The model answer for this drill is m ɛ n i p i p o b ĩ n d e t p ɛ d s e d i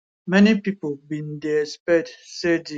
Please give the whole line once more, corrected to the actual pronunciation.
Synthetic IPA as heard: m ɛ n i p i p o b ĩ n d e s p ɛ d s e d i